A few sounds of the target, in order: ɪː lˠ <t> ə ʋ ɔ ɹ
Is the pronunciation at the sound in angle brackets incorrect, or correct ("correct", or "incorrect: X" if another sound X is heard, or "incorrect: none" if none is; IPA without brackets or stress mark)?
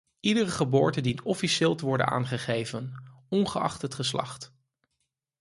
correct